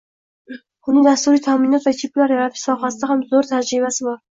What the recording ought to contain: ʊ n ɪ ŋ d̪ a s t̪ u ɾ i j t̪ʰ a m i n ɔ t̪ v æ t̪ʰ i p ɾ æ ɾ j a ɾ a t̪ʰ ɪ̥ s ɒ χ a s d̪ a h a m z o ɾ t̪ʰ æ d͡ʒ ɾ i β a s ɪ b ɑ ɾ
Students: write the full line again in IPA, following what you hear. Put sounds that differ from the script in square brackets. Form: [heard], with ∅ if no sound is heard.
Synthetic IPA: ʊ n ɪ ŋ d̪ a s t̪ u ɾ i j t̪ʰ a m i n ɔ t̪ v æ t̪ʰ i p [l] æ ɾ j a ɾ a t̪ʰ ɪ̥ s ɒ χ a s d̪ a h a m z o ɾ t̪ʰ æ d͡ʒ ɾ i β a s ɪ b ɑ ɾ